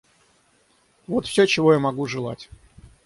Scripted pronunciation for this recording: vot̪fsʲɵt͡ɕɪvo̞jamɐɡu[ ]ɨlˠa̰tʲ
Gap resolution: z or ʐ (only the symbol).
ʐ